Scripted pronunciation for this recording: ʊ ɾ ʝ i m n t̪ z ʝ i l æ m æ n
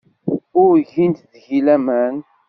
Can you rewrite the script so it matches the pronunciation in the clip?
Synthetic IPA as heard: ʊ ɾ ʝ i n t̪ ð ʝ i l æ m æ n